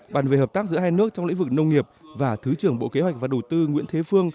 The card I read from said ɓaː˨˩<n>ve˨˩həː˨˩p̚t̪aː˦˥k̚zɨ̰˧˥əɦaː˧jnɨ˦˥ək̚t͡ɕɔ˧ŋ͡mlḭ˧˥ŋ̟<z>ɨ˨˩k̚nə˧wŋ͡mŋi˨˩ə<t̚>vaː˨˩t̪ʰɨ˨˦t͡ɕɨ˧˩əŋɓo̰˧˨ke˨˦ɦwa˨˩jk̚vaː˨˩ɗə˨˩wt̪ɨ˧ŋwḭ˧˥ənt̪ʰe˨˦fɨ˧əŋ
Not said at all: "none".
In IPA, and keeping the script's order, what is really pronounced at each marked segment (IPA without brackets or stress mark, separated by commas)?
n, v, p̚